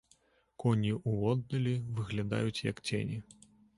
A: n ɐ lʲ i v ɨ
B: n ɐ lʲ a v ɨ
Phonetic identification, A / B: A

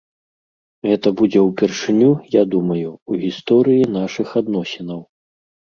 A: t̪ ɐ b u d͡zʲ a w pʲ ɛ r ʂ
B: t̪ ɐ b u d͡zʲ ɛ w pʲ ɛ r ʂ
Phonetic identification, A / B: B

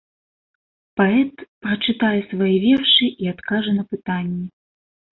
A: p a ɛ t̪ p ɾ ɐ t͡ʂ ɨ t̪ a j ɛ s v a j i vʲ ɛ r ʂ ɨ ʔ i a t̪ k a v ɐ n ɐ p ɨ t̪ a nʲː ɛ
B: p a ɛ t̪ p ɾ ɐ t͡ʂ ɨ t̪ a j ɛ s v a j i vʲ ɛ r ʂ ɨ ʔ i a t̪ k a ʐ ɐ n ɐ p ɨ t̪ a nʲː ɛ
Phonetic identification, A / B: B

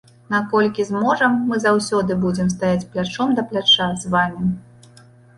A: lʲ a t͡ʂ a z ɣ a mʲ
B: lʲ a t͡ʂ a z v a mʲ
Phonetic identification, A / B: B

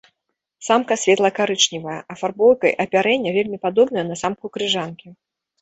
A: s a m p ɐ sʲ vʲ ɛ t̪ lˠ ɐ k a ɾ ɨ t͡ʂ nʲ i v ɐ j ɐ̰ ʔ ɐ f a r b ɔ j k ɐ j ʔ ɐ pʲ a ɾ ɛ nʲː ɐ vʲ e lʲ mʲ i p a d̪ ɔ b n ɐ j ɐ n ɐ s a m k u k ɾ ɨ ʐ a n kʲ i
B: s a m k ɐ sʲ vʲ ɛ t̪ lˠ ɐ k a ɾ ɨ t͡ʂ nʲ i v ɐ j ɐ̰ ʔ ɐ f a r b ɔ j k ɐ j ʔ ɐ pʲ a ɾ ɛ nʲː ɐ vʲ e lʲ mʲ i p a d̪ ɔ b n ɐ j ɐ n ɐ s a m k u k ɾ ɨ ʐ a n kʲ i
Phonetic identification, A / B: B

